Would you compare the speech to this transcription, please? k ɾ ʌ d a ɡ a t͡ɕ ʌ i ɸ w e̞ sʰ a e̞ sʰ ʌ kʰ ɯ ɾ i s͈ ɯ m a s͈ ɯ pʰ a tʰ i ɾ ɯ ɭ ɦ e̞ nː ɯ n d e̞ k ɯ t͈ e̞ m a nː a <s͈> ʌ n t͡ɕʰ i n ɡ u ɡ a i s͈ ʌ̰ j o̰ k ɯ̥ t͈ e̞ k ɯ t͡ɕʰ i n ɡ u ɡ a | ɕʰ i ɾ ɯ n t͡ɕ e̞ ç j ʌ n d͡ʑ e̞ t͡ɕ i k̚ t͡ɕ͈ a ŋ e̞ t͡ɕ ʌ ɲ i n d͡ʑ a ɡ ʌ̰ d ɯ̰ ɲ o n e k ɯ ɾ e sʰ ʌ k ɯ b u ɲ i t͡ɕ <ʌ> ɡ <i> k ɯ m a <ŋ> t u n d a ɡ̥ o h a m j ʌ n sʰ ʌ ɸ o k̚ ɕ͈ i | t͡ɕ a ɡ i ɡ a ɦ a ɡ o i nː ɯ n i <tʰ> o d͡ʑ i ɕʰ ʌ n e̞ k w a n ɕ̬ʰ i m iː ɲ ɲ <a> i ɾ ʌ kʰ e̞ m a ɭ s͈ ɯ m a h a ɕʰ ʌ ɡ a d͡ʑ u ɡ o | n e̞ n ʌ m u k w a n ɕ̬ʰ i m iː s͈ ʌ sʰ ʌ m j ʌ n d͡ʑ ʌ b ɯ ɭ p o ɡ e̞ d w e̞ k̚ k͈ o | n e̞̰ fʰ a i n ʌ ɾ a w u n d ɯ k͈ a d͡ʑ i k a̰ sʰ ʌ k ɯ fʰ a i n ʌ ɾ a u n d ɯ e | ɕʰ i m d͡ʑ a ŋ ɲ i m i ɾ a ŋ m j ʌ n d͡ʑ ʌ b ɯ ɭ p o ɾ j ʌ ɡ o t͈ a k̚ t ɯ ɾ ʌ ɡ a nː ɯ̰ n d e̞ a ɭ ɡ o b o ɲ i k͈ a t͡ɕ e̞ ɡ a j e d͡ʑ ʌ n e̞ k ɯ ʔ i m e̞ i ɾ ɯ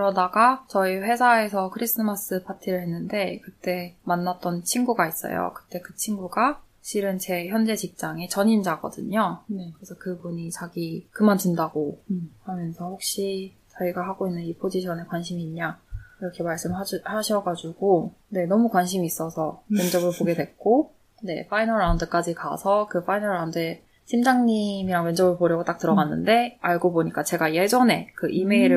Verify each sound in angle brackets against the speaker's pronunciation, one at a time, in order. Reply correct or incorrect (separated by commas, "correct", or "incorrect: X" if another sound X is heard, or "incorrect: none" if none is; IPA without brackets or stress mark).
incorrect: t͈, incorrect: a, correct, incorrect: n, incorrect: pʰ, correct